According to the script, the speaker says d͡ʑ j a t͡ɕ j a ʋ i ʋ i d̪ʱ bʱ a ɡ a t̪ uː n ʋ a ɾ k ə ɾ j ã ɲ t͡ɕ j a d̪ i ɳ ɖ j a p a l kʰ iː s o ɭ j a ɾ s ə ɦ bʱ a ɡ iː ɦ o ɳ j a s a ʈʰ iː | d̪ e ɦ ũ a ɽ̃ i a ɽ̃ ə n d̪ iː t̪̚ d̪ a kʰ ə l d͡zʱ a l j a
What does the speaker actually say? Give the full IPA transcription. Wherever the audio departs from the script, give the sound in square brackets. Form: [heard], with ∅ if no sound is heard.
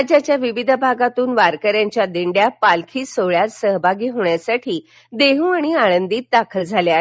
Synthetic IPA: d͡ʑ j a t͡ɕ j a ʋ i ʋ i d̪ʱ bʱ a ɡ a t̪ uː n ʋ a ɾ k ə ɾ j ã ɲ t͡ɕ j a d̪ i ɳ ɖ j a p a l kʰ iː s o ɭ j a ɾ s ə ɦ bʱ a ɡ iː ɦ o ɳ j a s a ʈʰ iː | d̪ e ɦ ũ a ɽ̃ i a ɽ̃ ə n d̪ iː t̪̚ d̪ a kʰ ə l d͡zʱ a l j a